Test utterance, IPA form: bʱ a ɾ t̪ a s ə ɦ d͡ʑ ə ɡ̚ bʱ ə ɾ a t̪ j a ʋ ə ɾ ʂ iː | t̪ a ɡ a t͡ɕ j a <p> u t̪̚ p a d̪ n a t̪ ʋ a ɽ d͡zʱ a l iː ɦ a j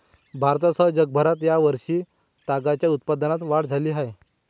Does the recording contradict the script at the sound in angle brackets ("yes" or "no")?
yes